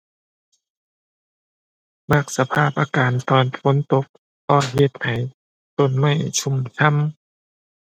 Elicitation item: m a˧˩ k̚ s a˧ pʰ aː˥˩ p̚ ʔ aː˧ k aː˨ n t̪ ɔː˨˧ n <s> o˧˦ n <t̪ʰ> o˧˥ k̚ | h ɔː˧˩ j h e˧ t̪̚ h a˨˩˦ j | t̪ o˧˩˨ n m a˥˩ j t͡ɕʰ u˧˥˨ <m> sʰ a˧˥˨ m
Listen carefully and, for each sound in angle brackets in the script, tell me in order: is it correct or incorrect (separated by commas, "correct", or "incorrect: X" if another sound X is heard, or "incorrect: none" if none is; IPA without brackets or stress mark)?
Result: incorrect: f, incorrect: t̪, correct